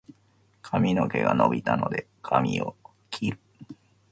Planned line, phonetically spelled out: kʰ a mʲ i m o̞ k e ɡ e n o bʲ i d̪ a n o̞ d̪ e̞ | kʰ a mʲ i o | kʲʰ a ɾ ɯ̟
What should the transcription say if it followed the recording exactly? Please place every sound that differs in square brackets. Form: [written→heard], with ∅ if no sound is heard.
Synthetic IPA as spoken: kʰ a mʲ i [m→n] o̞ k e ɡ [e→a] n o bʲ i [d̪→t̪] a n o̞ d̪ e̞ | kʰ a mʲ i o | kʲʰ [a→i] ɾ ɯ̟